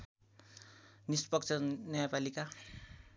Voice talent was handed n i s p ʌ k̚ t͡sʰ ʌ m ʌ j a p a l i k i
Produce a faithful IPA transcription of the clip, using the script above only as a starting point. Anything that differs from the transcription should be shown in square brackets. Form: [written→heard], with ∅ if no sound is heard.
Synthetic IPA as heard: n i s p ʌ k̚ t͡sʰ ʌ [m→n] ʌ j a p a l i k [i→a]